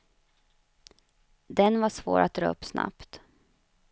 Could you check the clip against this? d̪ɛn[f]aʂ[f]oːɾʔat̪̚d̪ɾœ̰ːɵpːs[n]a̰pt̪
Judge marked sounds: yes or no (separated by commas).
no, no, yes